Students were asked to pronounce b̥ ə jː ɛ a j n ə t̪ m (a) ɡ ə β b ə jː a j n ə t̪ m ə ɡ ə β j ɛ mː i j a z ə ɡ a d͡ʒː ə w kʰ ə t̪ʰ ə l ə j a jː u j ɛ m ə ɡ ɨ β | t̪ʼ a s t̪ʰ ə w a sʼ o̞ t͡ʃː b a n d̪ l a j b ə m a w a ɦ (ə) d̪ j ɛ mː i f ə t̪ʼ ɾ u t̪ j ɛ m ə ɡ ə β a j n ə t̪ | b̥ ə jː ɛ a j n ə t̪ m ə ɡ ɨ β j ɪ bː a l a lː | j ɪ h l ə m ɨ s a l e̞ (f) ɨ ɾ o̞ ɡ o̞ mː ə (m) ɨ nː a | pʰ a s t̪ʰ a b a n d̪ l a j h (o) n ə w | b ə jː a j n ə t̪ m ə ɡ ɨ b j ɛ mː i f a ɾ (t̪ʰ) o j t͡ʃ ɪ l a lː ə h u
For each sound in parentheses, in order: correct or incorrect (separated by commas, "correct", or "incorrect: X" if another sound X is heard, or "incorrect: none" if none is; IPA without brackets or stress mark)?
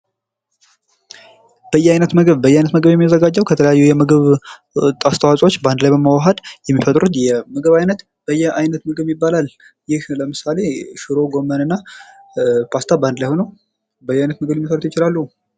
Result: incorrect: ə, correct, incorrect: ʃ, incorrect: n, correct, incorrect: t̪